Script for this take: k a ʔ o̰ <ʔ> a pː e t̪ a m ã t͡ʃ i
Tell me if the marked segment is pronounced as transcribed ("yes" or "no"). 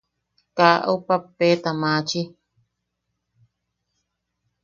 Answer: no